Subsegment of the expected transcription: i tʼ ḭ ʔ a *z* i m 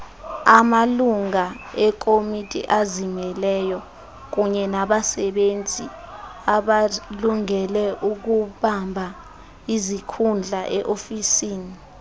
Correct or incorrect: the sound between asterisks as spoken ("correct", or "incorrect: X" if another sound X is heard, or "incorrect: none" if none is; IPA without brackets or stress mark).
correct